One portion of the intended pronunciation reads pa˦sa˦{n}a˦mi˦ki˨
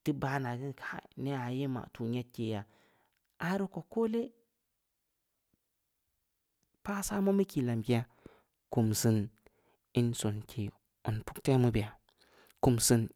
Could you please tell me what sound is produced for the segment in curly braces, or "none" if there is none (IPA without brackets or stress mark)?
m